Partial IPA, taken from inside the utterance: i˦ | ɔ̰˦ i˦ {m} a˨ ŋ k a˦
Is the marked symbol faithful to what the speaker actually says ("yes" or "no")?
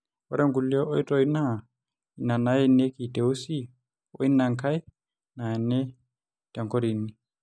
no